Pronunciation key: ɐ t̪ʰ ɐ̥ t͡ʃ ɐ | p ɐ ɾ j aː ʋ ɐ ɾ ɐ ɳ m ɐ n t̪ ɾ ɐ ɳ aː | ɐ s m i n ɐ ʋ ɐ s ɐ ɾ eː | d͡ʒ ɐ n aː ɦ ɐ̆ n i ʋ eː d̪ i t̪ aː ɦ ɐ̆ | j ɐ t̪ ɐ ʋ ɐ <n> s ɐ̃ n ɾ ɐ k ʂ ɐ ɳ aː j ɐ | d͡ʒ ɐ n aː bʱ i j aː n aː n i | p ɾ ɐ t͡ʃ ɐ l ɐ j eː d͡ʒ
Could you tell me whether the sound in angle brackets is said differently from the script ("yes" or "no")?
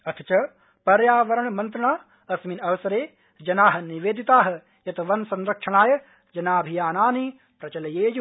no